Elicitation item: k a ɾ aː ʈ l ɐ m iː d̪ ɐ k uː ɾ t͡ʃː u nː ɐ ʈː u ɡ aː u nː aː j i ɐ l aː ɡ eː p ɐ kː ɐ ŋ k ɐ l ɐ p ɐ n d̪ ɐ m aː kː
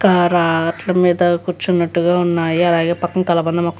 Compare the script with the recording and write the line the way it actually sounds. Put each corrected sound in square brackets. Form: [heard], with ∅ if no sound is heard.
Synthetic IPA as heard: k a ɾ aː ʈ l ɐ m iː d̪ ɐ k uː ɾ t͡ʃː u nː ɐ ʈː u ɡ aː u nː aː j i ɐ l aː ɡ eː p ɐ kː ɐ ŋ k ɐ l ɐ [b] ɐ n d̪ ɐ m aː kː